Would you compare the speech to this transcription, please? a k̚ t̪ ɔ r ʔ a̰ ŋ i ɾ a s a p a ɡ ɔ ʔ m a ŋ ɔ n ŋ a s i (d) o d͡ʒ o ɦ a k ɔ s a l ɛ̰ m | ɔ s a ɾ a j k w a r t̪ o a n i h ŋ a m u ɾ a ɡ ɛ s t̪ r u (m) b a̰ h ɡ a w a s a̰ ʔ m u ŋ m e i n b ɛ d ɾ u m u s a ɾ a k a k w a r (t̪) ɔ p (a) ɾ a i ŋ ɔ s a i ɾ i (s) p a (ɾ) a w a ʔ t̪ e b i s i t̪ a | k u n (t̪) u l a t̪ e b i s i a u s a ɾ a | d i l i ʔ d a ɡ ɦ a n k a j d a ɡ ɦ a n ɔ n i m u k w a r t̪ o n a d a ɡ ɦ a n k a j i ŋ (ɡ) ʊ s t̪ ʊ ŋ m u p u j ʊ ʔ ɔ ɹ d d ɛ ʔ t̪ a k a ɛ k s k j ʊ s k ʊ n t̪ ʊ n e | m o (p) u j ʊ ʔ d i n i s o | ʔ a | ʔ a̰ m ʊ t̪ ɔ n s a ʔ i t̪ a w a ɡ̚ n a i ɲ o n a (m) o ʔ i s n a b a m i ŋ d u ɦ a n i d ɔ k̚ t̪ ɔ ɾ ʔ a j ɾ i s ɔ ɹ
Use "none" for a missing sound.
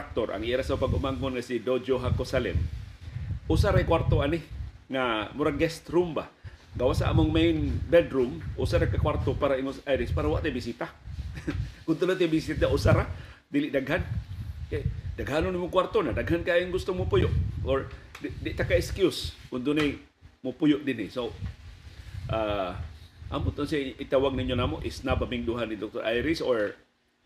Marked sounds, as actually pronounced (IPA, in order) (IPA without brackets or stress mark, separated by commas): d, m, t̪, a, s, ɾ, t̪, ɡ, p, m